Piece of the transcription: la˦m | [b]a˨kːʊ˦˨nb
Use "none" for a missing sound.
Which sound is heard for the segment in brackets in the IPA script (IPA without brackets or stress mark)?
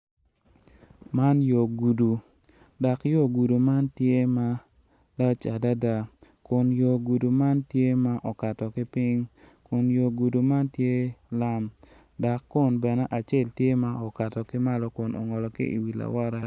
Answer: d